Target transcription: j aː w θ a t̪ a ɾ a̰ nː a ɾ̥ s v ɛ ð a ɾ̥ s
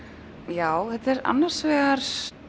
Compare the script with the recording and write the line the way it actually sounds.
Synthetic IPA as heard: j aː w θ ɛ t̪ ɛ ɾ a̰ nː a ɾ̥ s v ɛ ɣ a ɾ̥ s